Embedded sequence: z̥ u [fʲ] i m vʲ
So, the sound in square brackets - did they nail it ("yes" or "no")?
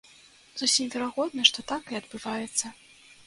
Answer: no